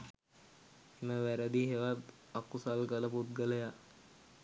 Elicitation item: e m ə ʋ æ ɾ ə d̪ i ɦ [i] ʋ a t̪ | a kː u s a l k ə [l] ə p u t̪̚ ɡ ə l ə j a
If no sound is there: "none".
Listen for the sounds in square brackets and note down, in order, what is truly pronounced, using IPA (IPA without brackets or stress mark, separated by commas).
e, l